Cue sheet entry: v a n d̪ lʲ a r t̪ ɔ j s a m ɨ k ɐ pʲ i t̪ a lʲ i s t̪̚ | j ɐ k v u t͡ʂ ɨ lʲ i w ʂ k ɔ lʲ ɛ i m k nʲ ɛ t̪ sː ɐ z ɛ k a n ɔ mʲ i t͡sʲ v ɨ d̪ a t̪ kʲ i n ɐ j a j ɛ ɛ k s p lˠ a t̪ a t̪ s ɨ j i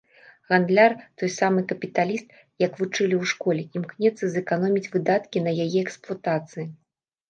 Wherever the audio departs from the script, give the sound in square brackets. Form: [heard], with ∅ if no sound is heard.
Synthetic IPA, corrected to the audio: [ɣ] a n d̪ lʲ a r t̪ ɔ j s a m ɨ k ɐ pʲ i t̪ a lʲ i s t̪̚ | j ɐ k v u t͡ʂ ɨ lʲ i w ʂ k ɔ lʲ ɛ i m k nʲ ɛ t̪ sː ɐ z ɛ k a n ɔ mʲ i t͡sʲ v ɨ d̪ a t̪ kʲ i n ɐ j a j ɛ ɛ k s p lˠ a t̪ a t̪ s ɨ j i